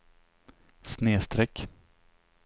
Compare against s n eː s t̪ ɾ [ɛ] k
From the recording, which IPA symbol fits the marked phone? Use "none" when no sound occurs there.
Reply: ɛ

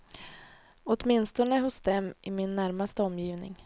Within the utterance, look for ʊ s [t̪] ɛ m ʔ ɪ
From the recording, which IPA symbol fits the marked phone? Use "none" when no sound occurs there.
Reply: d̪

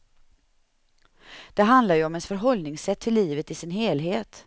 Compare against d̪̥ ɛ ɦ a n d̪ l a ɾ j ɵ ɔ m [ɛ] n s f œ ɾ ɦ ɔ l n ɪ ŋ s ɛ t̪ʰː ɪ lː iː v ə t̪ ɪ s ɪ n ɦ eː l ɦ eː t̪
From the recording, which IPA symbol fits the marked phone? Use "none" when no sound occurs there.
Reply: ɛ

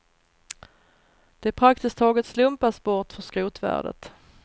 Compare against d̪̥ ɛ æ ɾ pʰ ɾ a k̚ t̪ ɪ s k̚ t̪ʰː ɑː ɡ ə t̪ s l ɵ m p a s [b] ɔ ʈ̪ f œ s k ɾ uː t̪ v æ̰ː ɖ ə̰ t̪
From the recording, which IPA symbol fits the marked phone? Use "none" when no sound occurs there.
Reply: b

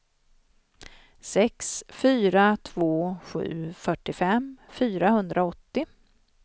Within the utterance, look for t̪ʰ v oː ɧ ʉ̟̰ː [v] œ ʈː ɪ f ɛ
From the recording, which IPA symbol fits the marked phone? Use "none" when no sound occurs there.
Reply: f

